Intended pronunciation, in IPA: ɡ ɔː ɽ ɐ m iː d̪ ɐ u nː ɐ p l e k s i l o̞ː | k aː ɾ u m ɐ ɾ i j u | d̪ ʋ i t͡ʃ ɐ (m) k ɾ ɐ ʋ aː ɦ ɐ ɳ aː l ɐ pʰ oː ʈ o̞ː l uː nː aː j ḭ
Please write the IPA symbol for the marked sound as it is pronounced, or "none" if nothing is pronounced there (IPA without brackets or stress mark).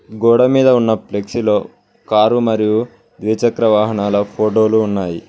none